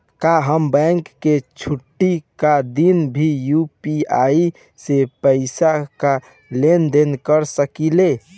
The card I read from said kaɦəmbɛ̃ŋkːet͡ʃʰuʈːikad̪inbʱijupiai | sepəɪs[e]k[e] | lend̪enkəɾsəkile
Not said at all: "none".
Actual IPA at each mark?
a, a

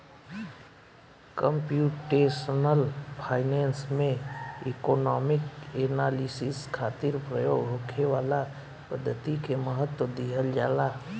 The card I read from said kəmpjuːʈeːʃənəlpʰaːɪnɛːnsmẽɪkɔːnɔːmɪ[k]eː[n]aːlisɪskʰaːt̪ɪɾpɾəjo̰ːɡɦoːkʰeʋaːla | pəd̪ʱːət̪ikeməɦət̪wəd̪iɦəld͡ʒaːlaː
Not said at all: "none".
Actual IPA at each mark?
k, n

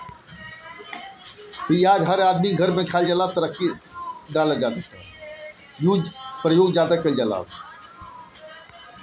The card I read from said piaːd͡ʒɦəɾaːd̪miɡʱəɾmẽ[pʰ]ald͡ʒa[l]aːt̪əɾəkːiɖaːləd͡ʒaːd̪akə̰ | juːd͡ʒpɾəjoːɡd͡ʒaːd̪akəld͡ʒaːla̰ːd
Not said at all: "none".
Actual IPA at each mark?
kʰ, l

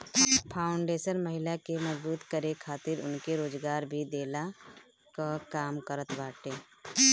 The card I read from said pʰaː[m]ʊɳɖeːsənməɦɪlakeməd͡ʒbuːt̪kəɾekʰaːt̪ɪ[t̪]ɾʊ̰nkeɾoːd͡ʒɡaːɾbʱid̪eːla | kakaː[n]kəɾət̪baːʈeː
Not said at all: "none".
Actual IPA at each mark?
none, none, m

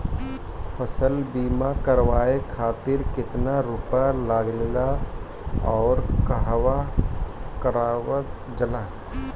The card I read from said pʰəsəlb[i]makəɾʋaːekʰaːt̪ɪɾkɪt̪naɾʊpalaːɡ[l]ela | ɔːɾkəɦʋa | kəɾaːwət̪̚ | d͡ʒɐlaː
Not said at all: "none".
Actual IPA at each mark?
iː, l

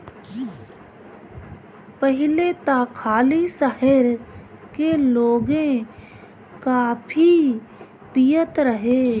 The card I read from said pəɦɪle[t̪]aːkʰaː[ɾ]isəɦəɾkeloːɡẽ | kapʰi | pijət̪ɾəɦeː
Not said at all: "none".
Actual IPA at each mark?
t̪, l

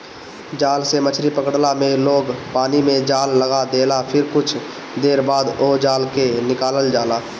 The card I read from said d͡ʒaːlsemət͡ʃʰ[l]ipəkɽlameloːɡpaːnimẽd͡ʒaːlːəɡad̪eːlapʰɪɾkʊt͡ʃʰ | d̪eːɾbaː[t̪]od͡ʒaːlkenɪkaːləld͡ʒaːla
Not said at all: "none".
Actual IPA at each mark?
ɾ, d̪

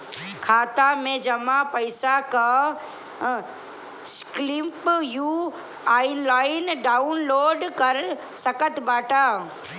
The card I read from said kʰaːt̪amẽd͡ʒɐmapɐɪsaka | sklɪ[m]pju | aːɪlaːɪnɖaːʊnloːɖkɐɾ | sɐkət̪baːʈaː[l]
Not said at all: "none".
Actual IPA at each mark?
m, none

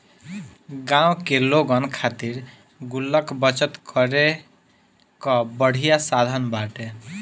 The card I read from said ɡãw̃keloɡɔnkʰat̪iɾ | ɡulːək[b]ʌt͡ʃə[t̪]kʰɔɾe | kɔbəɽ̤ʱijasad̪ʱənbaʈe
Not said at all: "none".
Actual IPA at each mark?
b, t̪

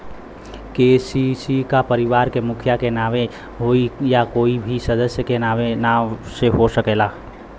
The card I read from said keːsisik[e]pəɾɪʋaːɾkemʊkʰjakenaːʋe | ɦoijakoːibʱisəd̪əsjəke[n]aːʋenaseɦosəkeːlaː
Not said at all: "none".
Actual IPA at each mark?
a, n

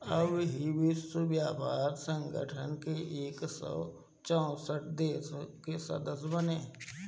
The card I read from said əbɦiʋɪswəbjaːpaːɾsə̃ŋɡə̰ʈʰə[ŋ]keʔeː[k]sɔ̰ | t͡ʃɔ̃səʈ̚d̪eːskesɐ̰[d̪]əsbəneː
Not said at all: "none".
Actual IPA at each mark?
n, k, d̪

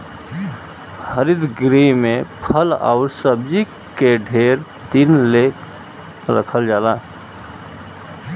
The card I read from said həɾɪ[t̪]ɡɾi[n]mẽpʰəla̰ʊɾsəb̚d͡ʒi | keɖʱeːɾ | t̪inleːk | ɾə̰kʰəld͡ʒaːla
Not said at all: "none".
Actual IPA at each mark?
d̪, none

